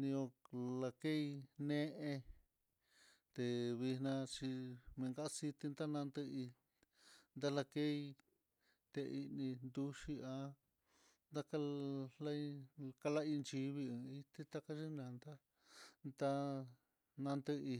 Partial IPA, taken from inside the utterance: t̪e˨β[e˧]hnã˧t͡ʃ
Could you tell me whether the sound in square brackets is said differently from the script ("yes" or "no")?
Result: yes